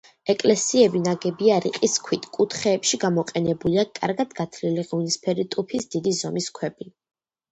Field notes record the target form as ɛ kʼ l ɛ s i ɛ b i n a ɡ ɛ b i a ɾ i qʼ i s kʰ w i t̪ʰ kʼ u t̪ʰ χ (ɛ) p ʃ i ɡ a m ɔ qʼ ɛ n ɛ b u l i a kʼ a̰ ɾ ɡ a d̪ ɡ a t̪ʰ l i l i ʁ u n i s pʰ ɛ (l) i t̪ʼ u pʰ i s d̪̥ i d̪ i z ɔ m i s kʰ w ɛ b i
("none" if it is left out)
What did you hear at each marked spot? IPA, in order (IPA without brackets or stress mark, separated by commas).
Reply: ɛː, ɾ